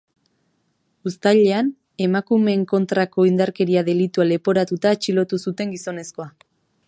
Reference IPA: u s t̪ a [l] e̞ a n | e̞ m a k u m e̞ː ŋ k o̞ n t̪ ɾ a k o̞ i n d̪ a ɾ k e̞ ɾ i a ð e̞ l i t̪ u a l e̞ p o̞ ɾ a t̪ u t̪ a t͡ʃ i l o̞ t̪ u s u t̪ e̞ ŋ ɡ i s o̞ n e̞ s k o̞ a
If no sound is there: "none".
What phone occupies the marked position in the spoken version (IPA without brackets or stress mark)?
ʎ